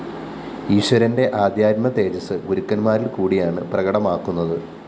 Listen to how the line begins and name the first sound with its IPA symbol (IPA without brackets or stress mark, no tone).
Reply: iː